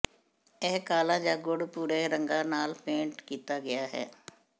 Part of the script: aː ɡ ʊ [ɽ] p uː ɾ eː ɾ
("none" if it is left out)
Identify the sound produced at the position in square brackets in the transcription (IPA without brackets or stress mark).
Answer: ɽ